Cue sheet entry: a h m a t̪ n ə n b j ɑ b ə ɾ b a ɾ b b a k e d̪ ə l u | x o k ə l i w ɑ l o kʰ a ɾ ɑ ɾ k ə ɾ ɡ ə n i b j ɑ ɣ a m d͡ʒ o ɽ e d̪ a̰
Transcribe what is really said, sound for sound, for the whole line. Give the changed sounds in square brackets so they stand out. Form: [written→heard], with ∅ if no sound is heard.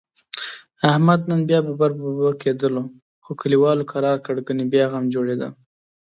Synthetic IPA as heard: a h m a [t̪→d̪] n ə n b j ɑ b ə [ɾ→∅] b a ɾ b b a k e d̪ ə l [u→o] | x o k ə l i w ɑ l o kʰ a ɾ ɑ ɾ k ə [ɾ→ɽ] ɡ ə n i b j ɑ ɣ a m d͡ʒ o ɽ e d̪ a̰